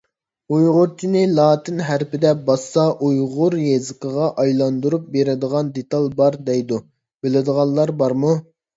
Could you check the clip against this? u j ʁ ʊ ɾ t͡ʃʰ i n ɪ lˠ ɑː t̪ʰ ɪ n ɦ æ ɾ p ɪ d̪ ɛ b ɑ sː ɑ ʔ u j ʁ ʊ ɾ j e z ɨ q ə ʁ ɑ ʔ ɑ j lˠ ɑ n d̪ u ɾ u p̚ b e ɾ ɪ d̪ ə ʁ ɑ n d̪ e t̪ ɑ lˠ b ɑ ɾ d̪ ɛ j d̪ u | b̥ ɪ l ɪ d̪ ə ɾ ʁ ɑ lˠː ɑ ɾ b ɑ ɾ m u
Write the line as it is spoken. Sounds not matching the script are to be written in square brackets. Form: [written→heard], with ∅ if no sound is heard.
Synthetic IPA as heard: u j ʁ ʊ ɾ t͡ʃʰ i n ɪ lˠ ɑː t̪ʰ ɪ n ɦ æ ɾ p ɪ d̪ ɛ b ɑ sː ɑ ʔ u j ʁ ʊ ɾ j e z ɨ q ə ʁ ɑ ʔ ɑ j lˠ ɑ n d̪ u ɾ u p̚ b e ɾ ɪ d̪ ə ʁ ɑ n d̪ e t̪ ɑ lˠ b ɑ ɾ d̪ ɛ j d̪ u | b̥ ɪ l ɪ d̪ ə [ɾ→∅] ʁ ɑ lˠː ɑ ɾ b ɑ ɾ m u